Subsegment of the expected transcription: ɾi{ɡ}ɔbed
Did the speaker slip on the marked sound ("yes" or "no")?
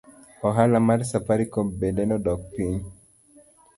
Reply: yes